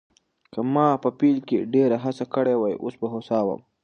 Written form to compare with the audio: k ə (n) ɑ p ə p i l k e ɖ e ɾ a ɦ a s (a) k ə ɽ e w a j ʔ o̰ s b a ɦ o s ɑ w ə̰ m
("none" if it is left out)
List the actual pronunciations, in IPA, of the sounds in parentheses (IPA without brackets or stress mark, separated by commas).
m, a